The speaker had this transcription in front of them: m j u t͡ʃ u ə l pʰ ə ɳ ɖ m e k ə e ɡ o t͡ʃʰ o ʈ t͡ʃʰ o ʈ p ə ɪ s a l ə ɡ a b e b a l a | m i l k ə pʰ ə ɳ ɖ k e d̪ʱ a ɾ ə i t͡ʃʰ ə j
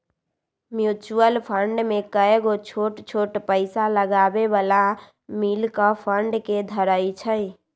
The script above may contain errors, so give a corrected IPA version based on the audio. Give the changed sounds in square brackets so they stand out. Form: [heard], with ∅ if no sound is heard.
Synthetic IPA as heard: m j u t͡ʃ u ə l pʰ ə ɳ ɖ m e k ə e ɡ o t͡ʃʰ o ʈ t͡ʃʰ o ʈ p ə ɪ s a l ə ɡ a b e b a l a | m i l k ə pʰ ə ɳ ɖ k e d̪ʱ [ə] ɾ ə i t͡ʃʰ ə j